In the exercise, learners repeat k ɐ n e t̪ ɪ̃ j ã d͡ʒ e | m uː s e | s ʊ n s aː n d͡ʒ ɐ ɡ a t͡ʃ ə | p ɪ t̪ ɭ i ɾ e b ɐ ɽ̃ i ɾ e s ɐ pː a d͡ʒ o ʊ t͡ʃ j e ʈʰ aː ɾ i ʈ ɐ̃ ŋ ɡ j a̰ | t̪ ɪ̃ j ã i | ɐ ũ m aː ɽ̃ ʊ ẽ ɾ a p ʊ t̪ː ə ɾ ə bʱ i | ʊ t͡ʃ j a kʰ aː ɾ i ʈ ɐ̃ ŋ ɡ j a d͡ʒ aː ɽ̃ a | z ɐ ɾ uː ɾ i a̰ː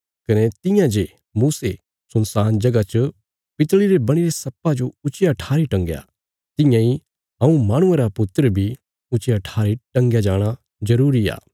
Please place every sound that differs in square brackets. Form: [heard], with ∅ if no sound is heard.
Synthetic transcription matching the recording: k ɐ n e t̪ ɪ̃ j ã d͡ʒ e | m uː s e | s ʊ n s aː n d͡ʒ ɐ ɡ a t͡ʃ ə | p ɪ t̪ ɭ i ɾ e b ɐ ɽ̃ i ɾ e s ɐ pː a d͡ʒ o ʊ t͡ʃ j [a] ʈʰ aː ɾ i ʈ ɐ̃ ŋ ɡ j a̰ | t̪ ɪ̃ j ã i | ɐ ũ m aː ɽ̃ ʊ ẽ ɾ a p ʊ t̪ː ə ɾ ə bʱ i | ʊ t͡ʃ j a [ʈʰ] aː ɾ i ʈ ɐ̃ ŋ ɡ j a d͡ʒ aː ɽ̃ a | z ɐ ɾ uː ɾ i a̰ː